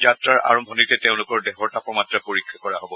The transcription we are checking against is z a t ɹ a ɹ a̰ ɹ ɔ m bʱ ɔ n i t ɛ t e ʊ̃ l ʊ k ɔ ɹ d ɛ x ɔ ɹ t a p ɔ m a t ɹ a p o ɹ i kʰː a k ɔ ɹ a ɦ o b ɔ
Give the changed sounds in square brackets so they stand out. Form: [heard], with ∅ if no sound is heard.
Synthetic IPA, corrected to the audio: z a t ɹ a ɹ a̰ ɹ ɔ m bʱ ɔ n i t ɛ t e ʊ̃ l ʊ k ɔ ɹ d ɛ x ɔ ɹ t a p ɔ m a t ɹ a p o ɹ i kʰː a k ɔ ɹ a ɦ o b ɔ